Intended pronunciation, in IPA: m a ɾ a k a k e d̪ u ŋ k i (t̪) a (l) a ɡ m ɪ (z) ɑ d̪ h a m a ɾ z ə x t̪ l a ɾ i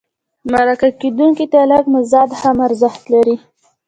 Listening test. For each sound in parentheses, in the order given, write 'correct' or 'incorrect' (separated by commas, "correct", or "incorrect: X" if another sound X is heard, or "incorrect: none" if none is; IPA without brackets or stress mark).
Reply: correct, correct, correct